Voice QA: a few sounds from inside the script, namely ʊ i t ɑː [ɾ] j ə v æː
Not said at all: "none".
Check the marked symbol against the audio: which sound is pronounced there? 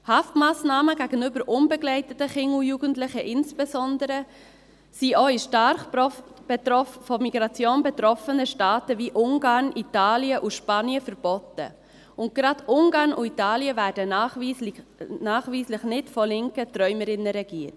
l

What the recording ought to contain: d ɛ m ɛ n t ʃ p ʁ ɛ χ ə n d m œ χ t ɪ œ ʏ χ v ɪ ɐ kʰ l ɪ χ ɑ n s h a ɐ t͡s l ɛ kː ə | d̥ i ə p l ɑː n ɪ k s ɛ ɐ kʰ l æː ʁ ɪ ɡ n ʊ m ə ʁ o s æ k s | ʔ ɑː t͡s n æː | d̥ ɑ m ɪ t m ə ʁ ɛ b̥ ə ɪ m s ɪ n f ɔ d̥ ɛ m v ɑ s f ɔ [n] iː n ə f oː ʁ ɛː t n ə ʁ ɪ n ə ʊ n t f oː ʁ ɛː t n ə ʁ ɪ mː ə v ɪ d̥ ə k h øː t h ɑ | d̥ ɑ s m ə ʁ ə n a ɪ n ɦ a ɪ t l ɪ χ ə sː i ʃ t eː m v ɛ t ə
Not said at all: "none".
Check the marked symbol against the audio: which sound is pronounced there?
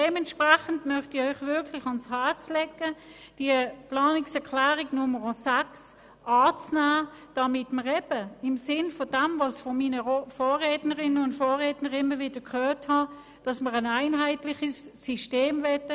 m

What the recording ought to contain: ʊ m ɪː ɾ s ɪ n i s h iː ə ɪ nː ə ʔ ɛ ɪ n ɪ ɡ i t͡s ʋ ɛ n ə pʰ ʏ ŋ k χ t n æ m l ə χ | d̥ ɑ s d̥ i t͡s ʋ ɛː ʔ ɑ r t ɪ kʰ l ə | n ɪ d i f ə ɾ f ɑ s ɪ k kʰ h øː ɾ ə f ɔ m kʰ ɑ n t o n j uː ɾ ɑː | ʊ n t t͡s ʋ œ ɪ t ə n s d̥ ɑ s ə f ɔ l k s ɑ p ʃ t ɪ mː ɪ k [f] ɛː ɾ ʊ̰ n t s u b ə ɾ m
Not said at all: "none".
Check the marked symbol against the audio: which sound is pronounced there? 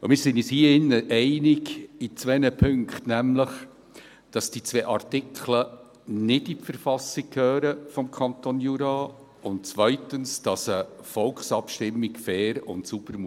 f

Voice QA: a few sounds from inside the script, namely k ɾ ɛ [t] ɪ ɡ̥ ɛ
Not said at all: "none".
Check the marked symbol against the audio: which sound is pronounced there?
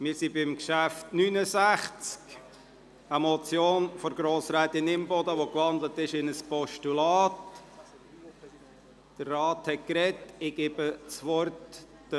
t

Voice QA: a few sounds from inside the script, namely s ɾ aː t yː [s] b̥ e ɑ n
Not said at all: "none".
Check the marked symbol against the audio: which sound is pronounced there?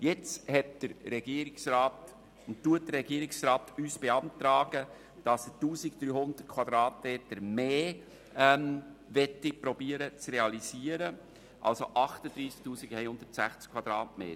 s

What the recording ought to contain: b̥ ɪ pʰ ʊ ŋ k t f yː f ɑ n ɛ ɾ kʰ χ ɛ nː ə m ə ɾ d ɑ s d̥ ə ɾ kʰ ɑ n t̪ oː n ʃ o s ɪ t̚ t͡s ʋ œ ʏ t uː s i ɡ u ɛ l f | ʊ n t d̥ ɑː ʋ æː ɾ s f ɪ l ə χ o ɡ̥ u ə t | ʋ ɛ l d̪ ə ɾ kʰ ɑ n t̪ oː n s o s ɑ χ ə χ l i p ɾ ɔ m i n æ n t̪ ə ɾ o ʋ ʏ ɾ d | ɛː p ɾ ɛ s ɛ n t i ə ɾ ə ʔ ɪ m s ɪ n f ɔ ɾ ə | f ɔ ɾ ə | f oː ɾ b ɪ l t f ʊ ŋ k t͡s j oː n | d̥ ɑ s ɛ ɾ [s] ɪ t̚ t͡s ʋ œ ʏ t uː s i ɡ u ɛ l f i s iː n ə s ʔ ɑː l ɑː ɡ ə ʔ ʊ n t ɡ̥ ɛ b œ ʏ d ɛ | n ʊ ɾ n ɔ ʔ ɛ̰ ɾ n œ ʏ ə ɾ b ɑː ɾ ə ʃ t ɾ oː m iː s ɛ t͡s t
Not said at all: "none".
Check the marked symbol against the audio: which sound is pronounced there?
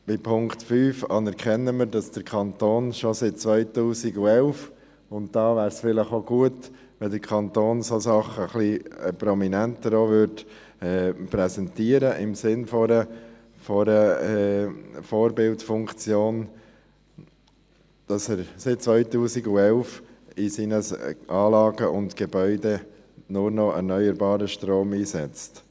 s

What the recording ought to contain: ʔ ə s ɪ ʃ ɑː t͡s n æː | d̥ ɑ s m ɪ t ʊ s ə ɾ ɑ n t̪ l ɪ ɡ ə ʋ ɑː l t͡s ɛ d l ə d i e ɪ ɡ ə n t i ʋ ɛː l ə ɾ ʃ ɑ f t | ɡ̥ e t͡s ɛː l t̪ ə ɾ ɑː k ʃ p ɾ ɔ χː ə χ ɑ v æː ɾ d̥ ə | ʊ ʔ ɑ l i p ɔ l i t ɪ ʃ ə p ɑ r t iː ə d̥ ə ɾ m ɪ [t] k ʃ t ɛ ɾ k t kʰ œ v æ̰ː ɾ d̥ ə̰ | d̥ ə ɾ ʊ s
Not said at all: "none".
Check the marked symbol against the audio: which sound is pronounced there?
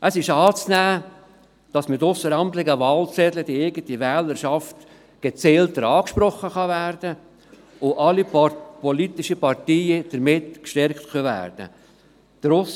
t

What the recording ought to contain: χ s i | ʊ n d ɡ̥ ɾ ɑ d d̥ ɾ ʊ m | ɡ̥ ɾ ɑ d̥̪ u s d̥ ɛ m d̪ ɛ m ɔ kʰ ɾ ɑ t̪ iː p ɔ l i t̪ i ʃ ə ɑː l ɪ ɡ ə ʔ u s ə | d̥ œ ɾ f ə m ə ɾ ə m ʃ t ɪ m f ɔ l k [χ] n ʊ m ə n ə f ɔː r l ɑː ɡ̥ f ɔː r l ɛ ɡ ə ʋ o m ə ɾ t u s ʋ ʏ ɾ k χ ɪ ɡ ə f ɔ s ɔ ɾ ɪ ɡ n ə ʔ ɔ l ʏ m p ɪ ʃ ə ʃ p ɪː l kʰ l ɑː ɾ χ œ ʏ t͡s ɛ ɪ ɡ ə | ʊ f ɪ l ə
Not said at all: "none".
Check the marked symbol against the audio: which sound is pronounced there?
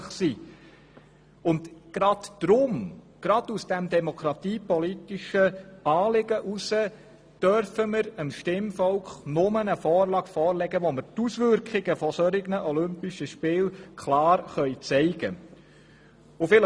χ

